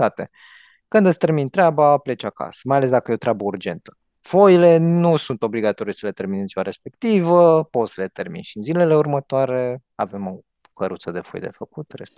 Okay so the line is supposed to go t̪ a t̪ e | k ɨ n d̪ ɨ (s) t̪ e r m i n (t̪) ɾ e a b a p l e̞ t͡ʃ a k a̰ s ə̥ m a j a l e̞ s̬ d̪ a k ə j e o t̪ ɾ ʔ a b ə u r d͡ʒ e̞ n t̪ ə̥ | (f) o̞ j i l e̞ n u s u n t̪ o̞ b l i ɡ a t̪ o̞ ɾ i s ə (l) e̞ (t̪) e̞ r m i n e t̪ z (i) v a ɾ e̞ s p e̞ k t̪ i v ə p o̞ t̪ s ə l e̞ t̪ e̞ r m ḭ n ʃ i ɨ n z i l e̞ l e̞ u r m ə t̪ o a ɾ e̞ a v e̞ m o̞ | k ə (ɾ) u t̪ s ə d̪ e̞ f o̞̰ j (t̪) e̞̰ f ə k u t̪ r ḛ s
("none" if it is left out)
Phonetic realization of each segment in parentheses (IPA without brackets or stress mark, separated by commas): s, t̪, f, l, t̪, i, ɾ, d̪